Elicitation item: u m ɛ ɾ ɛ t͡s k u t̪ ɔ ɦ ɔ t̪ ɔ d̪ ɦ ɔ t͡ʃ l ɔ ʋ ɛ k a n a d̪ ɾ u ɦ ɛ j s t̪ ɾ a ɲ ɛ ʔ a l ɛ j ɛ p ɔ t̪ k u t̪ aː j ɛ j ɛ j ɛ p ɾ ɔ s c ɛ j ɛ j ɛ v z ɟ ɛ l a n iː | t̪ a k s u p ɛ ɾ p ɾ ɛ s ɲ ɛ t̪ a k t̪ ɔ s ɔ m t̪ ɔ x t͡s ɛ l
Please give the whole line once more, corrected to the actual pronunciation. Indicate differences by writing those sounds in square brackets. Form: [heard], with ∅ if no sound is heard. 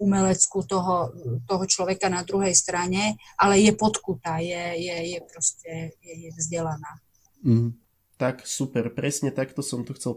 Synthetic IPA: u m ɛ [l] ɛ t͡s k u t̪ ɔ ɦ ɔ t̪ ɔ [∅] ɦ ɔ t͡ʃ l ɔ ʋ ɛ k a n a d̪ ɾ u ɦ ɛ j s t̪ ɾ a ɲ ɛ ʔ a l ɛ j ɛ p ɔ t̪ k u t̪ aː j ɛ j ɛ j ɛ p ɾ ɔ s c ɛ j ɛ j ɛ v z ɟ ɛ l a n [aː] | t̪ a k s u p ɛ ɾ p ɾ ɛ s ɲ ɛ t̪ a k t̪ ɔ s ɔ m t̪ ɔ x t͡s ɛ l